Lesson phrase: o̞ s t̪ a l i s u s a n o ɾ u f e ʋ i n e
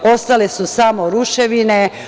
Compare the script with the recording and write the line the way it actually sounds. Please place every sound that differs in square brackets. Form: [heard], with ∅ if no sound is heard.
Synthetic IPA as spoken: o̞ s t̪ a l [e] s u s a [m] o ɾ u [ʃ] e ʋ i n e